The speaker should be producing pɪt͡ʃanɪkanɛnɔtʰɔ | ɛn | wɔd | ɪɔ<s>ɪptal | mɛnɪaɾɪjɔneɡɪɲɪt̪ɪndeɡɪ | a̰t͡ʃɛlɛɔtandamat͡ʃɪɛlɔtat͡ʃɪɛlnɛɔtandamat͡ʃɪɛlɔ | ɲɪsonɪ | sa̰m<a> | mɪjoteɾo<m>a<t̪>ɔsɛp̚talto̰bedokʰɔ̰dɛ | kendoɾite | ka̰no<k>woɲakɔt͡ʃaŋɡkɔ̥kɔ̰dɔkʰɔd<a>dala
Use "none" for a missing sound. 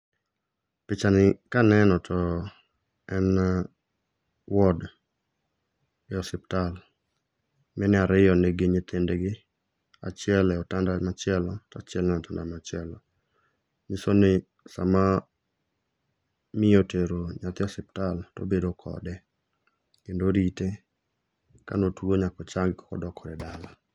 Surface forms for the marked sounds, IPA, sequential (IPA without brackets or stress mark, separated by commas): s, a, ɲ, t̪, t, ɛ